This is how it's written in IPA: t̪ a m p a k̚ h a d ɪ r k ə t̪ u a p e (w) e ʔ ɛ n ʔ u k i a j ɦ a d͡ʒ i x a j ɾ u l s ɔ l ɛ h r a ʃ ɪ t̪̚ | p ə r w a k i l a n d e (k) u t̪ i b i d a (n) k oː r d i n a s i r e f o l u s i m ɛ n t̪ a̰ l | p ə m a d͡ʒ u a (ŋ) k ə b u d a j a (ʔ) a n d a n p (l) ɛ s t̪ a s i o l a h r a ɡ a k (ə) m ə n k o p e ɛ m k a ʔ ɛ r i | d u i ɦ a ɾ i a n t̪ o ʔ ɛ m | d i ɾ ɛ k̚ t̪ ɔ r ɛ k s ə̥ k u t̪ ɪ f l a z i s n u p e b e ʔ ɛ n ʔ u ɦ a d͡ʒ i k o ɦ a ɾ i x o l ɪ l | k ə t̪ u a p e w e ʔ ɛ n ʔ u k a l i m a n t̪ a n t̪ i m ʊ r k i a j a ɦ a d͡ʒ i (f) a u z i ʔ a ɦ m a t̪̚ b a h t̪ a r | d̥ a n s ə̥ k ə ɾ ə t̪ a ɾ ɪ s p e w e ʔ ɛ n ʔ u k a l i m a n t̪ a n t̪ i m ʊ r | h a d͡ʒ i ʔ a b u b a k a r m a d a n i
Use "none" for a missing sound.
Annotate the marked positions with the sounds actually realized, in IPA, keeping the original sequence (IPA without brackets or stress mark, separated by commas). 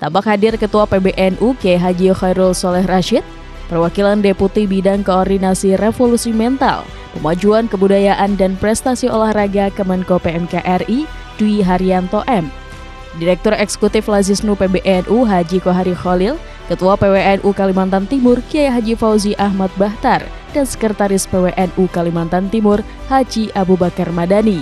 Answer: b, p, ŋ, n, ʔ, ɾ, ə, f